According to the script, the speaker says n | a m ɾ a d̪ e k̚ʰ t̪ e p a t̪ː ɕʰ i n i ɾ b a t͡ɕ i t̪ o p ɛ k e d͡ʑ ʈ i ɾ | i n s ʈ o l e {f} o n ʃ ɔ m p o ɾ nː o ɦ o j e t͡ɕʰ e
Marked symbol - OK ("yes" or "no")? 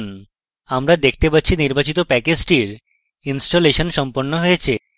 no